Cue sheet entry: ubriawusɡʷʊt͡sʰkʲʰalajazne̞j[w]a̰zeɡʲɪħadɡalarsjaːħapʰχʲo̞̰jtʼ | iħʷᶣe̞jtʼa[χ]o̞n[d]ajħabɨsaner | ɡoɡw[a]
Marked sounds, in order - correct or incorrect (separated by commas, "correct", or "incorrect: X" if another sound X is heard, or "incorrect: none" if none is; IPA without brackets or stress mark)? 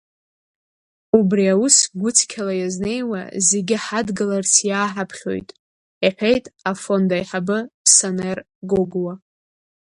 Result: correct, incorrect: f, correct, correct